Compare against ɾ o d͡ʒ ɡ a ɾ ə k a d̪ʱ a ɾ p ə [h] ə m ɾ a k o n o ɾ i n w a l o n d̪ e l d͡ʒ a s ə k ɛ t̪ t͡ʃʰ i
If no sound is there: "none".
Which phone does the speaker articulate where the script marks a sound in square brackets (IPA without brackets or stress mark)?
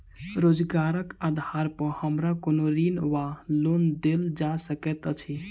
h